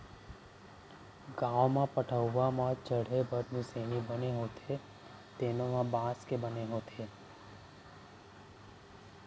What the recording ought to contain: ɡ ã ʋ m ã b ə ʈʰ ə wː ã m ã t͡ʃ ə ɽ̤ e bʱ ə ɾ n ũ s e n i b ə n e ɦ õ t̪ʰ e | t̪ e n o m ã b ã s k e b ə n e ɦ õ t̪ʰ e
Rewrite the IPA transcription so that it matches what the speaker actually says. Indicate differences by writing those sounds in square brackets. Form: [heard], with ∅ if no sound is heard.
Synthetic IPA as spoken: ɡ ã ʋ m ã [p] ə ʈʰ ə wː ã m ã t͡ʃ ə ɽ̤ e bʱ ə ɾ n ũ s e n i b ə n e ɦ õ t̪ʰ e | t̪ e n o m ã b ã s k e b ə n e ɦ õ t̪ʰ e